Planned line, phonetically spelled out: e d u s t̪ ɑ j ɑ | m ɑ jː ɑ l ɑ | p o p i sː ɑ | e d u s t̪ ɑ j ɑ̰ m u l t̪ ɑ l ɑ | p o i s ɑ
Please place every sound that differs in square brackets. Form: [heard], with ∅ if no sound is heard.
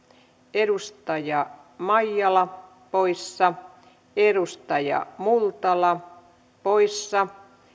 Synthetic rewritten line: e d u s t̪ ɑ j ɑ | m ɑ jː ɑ l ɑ | p o [∅] i sː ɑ | e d u s t̪ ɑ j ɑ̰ m u l t̪ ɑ l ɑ | p o i [sː] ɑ